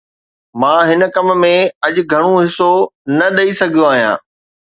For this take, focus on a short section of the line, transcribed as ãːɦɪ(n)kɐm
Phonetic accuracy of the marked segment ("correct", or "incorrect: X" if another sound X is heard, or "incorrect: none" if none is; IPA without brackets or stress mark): correct